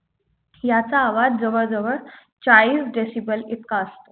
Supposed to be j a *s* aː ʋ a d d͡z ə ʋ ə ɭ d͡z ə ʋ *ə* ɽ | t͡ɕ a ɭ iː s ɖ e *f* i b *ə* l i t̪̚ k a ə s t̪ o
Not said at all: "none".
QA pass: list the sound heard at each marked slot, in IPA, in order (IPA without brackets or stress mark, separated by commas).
t͡s, ə, s, ə